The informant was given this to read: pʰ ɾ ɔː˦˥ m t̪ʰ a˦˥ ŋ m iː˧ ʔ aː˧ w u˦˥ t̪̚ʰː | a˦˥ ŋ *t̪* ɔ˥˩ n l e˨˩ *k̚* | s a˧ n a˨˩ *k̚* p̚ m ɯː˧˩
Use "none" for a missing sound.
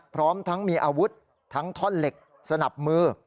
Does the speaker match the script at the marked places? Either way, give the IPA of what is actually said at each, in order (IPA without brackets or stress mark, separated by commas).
t̪ʰ, k̚, none